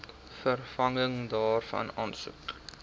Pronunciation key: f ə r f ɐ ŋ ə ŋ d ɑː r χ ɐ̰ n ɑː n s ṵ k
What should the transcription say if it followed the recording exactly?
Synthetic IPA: f ə r f ɐ ŋ ə ŋ d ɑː r f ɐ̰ n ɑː n s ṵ k